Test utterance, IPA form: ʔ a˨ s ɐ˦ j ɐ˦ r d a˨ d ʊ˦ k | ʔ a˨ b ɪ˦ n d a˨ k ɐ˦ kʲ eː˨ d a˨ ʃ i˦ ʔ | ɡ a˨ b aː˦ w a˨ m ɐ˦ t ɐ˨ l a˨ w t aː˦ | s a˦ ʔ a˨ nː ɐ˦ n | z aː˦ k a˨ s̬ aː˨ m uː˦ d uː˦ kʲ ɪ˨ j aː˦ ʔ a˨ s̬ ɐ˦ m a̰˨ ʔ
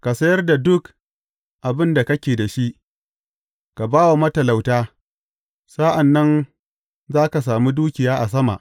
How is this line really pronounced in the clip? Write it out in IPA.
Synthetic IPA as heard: k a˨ s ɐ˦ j ɐ˦ r d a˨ d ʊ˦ k | ʔ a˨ b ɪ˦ n d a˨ k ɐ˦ kʲ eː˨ d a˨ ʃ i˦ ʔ | k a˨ b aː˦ w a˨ m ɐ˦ t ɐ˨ l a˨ w t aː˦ | s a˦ ʔ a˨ nː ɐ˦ n | z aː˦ k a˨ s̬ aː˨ m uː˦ d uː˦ kʲ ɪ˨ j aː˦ ʔ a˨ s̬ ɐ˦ m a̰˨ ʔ